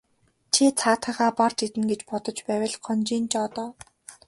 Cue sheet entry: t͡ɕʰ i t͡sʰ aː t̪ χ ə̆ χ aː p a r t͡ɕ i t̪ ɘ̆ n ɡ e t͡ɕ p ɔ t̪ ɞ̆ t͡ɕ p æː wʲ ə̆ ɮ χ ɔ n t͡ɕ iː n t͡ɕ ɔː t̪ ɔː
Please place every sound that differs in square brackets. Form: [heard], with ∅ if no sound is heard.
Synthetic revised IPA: t͡ɕʰ i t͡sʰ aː t̪ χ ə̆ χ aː p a r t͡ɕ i t̪ ɘ̆ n ɡ e t͡ɕ p ɔ t̪ ɞ̆ t͡ɕ p æː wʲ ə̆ ɮ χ ɔ n t͡ɕ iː n t͡ɕ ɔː t̪ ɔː